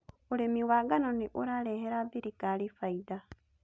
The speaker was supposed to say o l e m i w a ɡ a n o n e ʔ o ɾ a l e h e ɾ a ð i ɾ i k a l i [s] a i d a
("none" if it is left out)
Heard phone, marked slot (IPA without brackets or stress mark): f